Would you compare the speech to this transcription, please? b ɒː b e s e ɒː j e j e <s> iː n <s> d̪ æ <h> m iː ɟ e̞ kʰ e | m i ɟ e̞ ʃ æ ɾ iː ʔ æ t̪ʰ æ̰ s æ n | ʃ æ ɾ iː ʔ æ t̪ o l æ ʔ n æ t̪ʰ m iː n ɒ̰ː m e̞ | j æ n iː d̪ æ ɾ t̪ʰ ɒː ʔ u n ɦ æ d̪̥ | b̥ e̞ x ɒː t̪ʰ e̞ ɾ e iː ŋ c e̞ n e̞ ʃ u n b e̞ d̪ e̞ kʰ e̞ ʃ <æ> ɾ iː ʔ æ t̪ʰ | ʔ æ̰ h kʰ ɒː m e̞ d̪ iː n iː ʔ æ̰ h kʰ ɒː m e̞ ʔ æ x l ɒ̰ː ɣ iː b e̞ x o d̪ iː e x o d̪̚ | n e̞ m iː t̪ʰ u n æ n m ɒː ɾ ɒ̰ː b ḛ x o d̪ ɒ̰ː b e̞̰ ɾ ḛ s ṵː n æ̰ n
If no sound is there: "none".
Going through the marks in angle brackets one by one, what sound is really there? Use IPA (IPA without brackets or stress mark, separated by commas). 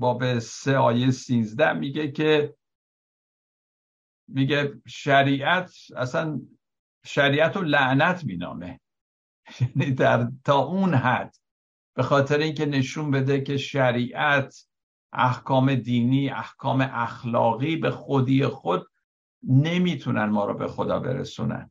s, z, h, æ